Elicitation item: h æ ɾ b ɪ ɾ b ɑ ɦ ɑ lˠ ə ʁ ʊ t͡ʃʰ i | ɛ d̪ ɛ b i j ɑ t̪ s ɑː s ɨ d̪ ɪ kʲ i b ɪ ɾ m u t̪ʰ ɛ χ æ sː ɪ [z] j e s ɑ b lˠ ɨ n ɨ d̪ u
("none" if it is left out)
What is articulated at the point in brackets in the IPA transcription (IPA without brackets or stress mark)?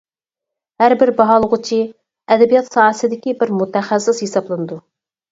s